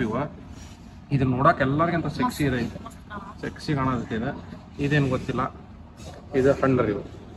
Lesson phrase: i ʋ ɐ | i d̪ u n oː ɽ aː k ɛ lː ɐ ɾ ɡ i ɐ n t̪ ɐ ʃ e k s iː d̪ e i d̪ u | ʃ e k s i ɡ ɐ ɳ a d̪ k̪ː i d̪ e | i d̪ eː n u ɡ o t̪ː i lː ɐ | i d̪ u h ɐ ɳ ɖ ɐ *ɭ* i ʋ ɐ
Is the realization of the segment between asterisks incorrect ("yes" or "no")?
yes